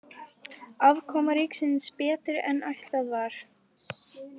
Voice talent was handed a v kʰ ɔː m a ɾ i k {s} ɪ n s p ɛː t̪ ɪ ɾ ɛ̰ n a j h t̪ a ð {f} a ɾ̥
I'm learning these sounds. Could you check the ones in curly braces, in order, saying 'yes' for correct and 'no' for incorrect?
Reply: yes, no

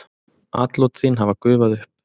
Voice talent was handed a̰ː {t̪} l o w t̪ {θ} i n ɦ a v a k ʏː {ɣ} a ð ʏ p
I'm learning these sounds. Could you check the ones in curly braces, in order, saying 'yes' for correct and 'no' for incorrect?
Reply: yes, yes, no

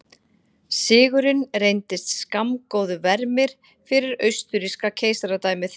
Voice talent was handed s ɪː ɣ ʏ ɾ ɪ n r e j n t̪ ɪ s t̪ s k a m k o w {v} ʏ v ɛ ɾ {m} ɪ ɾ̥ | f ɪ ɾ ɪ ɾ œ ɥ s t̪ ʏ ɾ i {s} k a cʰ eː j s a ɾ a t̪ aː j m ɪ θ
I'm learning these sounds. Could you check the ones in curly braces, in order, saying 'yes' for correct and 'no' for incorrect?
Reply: no, yes, yes

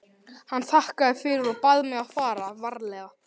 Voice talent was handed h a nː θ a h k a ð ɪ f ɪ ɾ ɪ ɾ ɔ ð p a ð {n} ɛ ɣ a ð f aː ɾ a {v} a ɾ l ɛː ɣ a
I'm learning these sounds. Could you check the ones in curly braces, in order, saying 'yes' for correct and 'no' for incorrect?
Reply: no, yes

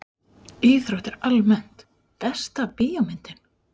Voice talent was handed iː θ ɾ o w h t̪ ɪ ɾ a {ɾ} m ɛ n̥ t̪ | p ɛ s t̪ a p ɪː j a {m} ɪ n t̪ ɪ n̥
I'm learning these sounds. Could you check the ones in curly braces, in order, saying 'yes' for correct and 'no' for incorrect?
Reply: no, yes

